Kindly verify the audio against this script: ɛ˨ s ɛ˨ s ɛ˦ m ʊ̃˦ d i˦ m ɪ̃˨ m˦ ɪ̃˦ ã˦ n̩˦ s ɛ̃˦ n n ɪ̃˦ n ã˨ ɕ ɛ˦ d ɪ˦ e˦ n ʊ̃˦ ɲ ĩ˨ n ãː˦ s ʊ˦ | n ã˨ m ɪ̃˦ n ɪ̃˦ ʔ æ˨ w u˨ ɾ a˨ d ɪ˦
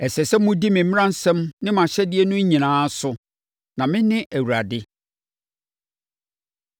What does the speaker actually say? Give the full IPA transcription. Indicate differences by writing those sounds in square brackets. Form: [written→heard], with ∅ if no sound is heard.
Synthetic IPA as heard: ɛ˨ s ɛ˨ s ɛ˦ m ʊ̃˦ d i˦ m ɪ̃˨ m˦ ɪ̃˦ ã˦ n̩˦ s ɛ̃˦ [n→m] n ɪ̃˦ [n→m] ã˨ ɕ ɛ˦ d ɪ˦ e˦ n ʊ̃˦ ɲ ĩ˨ n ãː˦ s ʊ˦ | n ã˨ m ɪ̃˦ n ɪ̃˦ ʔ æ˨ w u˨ ɾ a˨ d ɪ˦

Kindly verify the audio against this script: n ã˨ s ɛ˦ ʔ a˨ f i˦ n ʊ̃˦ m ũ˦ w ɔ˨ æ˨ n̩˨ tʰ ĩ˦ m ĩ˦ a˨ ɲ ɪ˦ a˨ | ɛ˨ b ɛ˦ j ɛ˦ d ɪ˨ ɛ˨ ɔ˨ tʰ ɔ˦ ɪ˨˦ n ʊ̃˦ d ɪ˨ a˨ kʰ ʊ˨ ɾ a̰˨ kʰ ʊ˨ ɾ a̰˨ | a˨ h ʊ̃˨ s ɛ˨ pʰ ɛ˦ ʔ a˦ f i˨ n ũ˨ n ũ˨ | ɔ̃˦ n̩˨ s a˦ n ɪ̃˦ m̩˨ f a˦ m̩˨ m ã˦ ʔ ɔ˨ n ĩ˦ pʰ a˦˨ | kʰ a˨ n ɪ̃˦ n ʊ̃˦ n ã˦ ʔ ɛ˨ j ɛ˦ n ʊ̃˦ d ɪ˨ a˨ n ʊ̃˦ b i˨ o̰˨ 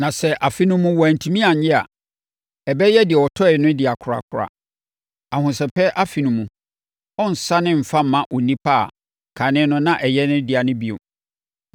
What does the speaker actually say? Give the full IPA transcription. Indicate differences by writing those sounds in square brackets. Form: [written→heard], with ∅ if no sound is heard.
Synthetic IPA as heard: n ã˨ s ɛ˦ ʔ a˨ f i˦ n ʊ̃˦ m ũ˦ w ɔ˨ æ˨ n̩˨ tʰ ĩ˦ m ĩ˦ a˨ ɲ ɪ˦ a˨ | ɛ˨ b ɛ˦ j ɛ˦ d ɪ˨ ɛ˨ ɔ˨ tʰ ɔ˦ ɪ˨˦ n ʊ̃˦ d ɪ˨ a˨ kʰ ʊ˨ ɾ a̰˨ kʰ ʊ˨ ɾ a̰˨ | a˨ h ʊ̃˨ s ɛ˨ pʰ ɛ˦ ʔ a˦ f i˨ n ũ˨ [n→m] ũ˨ | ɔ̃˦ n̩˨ s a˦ n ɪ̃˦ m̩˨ f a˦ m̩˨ m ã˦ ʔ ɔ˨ n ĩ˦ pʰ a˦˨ | kʰ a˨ n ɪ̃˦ n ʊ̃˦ n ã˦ ʔ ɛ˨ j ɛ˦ n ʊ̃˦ d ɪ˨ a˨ n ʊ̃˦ b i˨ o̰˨

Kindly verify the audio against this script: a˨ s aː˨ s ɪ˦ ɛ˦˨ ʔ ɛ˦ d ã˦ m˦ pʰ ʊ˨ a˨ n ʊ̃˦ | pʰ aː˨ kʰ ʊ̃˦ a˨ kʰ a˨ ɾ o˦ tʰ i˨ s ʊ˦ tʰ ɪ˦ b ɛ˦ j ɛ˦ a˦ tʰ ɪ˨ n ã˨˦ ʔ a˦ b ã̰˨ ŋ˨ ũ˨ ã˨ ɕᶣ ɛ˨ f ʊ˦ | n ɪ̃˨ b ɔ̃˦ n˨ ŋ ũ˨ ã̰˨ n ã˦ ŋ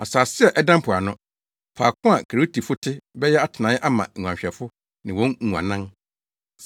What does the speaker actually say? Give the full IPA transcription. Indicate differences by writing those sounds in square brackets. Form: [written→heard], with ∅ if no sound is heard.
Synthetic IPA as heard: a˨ s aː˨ s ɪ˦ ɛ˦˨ ʔ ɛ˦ d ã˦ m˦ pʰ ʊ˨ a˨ n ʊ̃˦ | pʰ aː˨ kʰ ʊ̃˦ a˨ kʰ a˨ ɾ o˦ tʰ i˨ [s→f] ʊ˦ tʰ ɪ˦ b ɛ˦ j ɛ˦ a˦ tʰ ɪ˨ n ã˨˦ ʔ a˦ [b→m] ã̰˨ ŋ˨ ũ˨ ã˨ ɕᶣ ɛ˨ f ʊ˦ | n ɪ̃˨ [b→w] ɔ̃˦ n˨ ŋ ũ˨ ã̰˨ n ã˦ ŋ

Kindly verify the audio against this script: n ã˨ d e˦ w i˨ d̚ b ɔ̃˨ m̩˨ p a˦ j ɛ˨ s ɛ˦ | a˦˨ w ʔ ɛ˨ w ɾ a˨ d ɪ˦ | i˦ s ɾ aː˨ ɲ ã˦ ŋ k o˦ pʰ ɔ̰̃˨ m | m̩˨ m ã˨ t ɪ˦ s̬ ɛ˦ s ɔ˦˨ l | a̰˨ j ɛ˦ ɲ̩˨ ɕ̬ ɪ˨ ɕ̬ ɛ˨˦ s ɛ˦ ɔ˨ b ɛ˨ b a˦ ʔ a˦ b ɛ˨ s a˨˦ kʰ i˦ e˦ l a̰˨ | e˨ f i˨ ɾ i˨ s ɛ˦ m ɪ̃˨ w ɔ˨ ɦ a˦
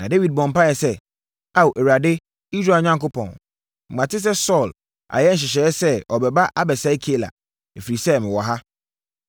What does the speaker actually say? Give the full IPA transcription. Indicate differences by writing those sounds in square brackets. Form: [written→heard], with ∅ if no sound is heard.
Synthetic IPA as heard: n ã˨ d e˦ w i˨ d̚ b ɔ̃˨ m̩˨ p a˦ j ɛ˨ s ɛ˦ | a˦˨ w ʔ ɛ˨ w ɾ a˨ d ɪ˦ | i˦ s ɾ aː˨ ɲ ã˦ ŋ k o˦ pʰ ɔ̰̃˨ [m→n] | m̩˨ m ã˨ t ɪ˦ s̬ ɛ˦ s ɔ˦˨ l | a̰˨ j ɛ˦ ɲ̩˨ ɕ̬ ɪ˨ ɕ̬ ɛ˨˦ s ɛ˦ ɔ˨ b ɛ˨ b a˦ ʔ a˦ b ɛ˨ s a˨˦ kʰ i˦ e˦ l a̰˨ | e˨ f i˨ ɾ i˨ s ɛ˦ m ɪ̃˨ w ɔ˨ ɦ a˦

